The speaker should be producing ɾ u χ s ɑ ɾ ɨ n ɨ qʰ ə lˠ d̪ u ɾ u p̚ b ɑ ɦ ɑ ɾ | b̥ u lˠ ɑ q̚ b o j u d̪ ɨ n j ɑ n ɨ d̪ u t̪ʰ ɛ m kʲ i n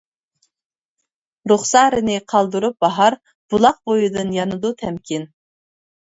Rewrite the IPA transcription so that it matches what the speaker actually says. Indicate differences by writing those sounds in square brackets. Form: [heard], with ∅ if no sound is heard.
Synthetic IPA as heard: ɾ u χ s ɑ ɾ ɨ n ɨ qʰ [ɑ] lˠ d̪ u ɾ u p̚ b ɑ ɦ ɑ ɾ | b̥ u lˠ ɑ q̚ b o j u d̪ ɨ n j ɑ n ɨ d̪ u t̪ʰ ɛ m kʲ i n